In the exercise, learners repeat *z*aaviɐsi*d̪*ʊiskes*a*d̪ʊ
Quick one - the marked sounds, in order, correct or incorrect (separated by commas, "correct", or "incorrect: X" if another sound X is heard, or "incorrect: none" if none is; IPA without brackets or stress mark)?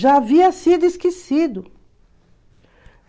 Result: incorrect: ʒ, correct, incorrect: i